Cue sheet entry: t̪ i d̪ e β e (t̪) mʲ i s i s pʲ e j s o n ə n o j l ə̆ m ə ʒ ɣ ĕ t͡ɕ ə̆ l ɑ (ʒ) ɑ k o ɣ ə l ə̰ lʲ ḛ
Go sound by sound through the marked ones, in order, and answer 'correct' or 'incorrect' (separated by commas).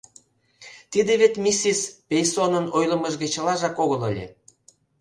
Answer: correct, correct